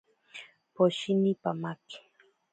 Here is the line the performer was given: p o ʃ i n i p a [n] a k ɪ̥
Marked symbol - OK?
no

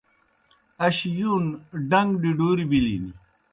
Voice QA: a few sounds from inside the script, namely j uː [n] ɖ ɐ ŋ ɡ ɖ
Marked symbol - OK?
yes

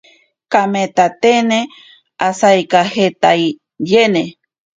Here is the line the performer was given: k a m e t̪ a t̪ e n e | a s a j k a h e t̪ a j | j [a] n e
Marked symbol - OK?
no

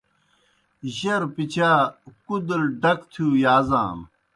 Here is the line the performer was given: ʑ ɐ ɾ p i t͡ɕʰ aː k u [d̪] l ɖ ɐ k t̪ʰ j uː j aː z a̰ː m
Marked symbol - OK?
yes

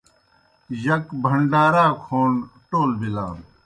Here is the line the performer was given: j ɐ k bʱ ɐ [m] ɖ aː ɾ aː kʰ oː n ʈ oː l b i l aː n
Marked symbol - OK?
no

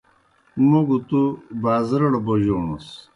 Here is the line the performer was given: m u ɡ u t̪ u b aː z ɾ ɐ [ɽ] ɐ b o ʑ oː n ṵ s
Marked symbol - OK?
yes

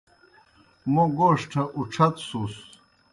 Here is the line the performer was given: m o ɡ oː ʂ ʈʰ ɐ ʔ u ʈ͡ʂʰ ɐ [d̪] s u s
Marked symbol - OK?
no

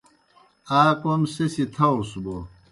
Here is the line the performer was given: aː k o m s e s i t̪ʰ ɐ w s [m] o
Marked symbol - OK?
no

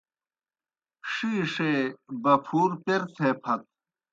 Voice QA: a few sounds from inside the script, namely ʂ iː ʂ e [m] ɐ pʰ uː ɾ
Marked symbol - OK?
no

